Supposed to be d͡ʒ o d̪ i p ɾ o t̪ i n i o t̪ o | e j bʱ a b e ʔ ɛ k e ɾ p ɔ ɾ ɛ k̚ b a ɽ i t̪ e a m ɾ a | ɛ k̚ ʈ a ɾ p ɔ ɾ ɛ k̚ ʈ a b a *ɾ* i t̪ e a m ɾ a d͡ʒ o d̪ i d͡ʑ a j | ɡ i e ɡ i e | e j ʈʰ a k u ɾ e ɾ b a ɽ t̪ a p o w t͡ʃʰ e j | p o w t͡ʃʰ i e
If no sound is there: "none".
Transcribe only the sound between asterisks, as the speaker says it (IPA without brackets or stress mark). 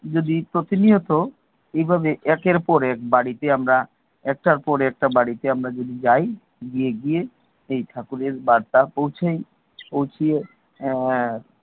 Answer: ɽ